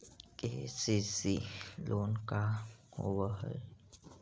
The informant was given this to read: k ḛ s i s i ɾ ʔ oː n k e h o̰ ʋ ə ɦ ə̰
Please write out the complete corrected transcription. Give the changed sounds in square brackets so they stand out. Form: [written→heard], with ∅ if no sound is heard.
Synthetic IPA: k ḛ s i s i [ɾ→l] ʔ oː n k [e→a] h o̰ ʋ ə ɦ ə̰